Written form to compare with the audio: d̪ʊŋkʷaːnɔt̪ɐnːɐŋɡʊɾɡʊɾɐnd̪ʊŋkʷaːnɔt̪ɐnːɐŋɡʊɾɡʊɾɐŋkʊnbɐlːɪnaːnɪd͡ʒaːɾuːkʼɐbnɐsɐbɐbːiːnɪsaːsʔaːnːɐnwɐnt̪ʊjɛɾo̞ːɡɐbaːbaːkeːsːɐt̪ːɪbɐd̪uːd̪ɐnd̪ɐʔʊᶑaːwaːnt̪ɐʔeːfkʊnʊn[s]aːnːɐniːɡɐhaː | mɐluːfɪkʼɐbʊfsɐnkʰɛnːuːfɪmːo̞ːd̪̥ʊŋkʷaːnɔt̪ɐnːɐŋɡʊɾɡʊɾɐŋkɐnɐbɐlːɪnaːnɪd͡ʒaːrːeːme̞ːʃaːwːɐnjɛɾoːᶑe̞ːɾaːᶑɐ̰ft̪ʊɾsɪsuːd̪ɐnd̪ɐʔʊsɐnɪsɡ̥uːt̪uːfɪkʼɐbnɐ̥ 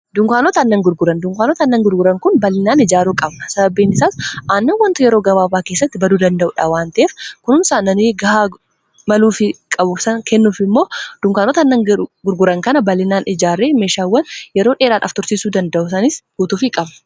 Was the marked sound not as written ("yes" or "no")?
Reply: no